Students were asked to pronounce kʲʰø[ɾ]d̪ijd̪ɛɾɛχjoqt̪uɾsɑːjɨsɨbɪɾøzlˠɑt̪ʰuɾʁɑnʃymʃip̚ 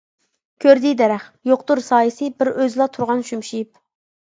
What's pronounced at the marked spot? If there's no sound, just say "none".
ɾ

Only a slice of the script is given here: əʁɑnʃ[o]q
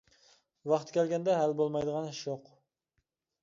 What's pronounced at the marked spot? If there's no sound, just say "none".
o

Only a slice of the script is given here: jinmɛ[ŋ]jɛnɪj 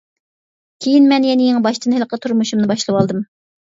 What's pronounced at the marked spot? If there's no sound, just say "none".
n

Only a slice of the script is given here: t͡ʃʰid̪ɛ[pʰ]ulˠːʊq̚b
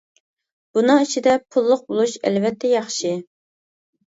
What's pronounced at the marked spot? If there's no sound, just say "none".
pʰ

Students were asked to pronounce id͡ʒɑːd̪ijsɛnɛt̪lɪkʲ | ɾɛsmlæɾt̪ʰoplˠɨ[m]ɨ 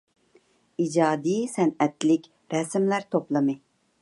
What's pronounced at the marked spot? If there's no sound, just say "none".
m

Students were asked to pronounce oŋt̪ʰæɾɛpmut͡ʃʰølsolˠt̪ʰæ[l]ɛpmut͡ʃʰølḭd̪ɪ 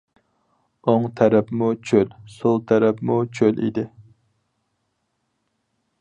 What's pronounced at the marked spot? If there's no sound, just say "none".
ɾ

